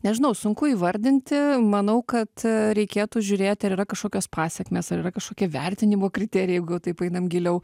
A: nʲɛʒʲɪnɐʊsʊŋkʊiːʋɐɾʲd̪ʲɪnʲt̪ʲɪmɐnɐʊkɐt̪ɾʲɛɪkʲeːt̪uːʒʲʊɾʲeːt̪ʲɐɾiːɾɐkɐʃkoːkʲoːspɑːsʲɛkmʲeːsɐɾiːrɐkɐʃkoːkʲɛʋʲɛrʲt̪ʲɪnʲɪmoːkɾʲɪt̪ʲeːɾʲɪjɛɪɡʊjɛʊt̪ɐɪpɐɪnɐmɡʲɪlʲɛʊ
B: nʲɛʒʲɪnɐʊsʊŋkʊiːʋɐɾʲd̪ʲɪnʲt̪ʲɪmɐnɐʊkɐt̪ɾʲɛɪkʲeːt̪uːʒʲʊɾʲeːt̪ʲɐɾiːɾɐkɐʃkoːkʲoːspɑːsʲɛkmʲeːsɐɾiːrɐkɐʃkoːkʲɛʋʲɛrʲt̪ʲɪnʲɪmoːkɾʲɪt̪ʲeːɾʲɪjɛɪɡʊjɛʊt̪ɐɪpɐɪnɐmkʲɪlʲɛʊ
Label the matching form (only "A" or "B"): A